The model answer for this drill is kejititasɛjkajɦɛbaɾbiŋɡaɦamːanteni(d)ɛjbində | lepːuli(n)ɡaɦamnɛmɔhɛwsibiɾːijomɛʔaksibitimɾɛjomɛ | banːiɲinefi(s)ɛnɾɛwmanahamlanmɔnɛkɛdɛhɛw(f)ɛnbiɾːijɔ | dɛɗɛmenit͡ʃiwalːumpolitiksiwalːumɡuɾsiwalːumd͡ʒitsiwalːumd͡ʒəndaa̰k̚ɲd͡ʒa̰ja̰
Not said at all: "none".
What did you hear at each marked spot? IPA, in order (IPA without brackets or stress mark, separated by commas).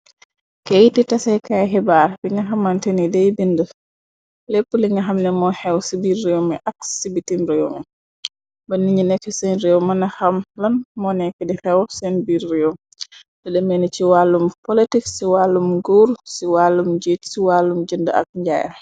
d, ŋ, s, s